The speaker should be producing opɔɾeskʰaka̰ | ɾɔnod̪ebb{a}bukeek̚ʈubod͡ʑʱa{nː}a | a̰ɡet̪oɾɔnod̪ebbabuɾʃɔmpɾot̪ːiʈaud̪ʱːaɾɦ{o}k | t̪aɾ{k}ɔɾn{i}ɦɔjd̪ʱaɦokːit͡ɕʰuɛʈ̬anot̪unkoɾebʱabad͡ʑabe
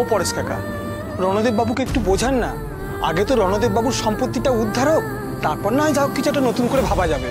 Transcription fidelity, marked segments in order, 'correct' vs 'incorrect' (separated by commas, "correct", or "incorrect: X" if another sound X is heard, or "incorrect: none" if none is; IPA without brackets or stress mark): correct, correct, correct, incorrect: p, incorrect: a